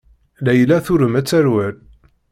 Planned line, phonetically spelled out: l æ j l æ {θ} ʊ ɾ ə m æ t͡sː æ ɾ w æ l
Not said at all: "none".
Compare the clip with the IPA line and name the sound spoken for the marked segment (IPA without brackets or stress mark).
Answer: θ